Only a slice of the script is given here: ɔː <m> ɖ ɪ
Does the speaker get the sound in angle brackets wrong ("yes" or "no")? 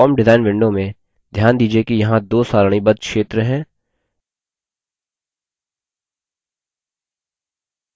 no